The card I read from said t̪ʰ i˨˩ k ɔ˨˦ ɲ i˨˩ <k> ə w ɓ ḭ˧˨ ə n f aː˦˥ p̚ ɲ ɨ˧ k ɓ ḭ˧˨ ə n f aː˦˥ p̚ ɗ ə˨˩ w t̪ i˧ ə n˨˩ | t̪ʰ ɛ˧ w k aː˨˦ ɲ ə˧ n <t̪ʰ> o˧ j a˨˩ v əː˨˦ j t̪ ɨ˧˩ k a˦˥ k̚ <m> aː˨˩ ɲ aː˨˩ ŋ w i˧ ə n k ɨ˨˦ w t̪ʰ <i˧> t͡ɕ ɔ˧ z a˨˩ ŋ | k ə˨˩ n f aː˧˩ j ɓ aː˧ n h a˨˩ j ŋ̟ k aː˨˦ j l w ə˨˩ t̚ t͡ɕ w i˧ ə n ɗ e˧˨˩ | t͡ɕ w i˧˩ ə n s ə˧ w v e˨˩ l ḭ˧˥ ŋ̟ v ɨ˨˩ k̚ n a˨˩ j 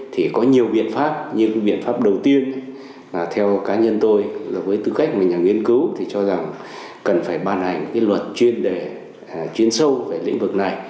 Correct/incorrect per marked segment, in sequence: incorrect: none, incorrect: t̪, correct, incorrect: i˨˩

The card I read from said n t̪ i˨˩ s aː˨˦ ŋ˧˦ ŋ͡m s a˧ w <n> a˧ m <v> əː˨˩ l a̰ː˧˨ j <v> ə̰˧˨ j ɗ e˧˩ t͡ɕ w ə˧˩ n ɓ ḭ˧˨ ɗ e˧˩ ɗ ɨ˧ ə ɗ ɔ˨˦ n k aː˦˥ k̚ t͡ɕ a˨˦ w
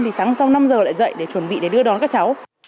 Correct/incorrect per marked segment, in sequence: correct, incorrect: z, incorrect: z

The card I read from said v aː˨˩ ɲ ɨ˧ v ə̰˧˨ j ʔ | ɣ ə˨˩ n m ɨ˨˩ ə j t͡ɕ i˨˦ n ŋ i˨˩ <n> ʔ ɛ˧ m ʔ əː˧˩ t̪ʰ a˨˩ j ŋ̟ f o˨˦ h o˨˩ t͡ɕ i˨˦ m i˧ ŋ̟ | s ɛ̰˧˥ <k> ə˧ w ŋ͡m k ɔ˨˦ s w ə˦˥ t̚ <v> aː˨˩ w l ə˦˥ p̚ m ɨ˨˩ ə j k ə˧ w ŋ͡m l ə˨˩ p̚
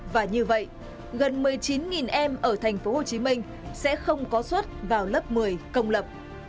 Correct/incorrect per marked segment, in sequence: correct, incorrect: x, correct

